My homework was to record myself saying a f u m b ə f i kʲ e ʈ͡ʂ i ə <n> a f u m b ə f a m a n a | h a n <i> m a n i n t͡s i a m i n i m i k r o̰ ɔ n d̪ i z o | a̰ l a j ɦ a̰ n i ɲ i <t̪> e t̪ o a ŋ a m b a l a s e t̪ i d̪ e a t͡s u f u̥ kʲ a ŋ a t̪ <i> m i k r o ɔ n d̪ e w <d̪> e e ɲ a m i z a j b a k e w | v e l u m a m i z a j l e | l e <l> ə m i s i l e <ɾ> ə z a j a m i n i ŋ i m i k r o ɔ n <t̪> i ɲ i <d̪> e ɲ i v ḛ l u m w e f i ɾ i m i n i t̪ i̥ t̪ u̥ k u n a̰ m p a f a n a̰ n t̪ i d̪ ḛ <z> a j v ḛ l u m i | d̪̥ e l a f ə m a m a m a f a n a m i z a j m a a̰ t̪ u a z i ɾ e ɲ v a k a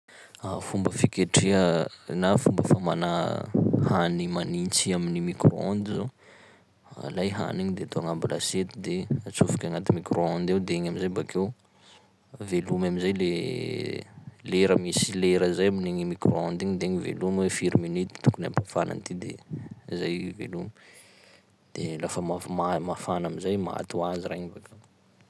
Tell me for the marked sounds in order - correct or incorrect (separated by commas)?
correct, correct, incorrect, correct, correct, incorrect, correct, incorrect, correct, correct